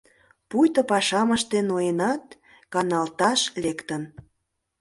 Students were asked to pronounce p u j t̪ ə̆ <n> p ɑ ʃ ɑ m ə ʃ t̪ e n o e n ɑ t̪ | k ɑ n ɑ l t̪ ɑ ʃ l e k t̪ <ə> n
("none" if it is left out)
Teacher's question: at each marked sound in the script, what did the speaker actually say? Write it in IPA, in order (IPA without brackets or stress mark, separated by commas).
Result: none, ə